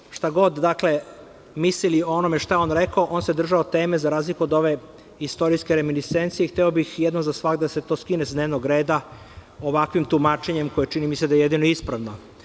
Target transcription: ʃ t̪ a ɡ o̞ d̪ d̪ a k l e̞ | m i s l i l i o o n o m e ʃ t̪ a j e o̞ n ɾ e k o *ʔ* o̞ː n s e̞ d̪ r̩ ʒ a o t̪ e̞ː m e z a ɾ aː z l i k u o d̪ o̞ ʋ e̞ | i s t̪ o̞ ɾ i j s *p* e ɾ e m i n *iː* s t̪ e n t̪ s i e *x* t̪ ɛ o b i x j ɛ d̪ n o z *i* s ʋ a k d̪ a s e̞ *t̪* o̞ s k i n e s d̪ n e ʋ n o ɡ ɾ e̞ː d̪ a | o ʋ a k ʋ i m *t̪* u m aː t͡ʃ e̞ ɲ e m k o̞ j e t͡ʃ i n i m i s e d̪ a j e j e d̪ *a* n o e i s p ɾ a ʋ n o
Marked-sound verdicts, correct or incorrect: correct, incorrect: k, incorrect: i, correct, incorrect: a, correct, correct, incorrect: i

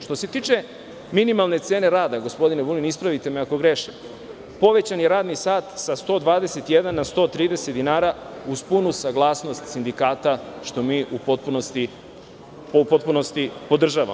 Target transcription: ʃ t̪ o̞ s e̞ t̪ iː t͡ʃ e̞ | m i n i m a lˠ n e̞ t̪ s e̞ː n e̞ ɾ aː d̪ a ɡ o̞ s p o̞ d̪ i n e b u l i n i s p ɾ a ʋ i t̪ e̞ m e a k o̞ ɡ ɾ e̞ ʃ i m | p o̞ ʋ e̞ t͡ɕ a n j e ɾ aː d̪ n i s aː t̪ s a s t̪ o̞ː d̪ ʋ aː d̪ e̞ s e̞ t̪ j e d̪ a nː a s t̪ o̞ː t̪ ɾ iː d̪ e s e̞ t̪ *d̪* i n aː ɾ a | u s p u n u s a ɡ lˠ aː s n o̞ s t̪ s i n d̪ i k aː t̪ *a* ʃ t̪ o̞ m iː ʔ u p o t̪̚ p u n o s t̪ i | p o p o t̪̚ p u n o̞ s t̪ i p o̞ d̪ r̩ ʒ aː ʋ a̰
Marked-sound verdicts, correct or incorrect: correct, correct

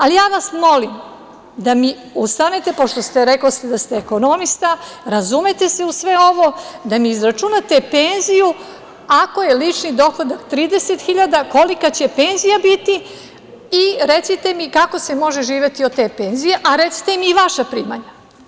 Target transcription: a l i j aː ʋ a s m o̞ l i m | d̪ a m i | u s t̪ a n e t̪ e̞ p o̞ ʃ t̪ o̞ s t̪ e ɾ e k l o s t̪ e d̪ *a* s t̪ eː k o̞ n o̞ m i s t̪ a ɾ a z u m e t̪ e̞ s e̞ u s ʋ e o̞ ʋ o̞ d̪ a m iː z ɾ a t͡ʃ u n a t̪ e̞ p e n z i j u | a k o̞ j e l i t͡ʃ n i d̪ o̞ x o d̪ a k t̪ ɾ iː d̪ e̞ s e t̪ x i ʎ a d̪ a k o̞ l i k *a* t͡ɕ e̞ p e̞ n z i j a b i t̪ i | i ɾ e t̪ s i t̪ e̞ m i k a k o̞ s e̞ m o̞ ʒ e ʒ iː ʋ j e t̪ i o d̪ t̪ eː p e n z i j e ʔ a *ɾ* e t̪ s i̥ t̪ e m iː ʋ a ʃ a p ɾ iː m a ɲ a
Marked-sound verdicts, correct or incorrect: correct, correct, correct

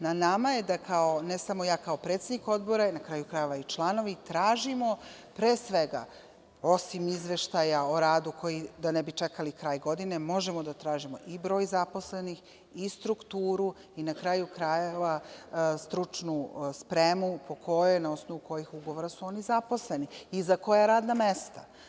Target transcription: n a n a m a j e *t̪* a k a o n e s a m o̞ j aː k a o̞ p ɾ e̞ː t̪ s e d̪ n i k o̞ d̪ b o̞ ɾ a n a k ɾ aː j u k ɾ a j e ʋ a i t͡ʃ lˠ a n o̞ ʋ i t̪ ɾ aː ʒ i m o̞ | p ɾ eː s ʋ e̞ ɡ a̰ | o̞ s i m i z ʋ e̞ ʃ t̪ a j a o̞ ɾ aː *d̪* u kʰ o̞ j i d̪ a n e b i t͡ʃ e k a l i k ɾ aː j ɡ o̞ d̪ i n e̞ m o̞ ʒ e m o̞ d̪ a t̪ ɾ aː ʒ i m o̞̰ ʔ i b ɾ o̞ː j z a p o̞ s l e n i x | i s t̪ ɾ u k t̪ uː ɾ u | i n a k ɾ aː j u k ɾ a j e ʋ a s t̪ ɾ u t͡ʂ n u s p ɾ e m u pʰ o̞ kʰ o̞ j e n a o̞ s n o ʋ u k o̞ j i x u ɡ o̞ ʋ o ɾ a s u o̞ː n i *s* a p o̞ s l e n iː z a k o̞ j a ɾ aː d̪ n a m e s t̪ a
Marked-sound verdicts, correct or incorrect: incorrect: d̪, correct, incorrect: z

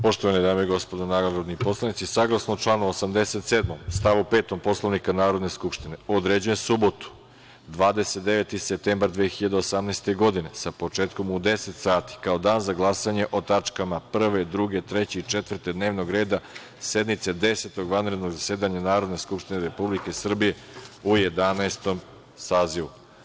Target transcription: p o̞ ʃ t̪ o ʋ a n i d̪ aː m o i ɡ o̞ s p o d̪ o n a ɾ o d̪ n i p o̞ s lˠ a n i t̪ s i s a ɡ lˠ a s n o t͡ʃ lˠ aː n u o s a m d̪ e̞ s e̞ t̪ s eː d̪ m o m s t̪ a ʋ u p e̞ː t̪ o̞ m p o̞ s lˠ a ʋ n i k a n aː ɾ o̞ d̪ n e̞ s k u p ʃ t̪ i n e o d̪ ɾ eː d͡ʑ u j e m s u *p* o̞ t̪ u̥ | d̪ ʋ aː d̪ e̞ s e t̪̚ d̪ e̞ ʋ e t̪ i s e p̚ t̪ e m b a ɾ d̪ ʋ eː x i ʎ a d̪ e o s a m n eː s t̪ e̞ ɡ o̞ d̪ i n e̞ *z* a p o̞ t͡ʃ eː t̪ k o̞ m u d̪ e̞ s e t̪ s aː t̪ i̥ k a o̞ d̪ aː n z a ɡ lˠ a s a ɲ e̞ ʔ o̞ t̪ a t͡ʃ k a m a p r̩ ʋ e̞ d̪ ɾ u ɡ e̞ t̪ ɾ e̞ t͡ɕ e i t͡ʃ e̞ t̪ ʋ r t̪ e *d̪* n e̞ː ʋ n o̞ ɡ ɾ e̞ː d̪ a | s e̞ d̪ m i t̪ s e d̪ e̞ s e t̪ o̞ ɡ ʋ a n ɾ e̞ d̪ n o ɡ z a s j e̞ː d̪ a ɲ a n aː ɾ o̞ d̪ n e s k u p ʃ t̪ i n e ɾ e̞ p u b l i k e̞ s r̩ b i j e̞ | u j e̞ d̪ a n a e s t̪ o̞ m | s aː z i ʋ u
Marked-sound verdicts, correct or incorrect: incorrect: b, incorrect: s, correct

